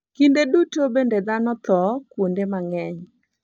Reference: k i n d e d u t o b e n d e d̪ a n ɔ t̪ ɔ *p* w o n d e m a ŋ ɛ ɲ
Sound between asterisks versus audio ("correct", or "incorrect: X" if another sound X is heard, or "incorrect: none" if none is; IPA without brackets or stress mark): incorrect: k